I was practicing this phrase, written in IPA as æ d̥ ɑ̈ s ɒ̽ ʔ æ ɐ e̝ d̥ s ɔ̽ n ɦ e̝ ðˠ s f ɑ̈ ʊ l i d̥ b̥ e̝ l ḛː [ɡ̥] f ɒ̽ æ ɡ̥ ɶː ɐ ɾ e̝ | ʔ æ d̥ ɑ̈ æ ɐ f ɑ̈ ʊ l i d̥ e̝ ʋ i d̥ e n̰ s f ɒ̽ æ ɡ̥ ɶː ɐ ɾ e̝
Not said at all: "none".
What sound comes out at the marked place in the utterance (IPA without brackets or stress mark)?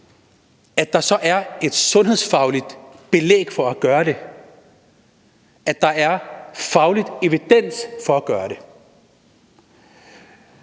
ɡ̥